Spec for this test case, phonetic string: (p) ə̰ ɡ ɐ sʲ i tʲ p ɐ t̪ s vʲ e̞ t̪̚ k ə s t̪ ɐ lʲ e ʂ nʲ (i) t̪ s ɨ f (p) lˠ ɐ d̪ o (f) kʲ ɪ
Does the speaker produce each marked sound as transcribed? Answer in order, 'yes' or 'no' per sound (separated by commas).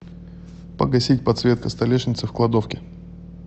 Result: yes, no, no, yes